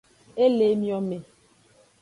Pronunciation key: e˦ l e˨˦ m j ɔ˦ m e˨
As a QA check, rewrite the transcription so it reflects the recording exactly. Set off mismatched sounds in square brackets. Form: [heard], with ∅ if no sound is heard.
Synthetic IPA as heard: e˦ l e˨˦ m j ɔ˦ m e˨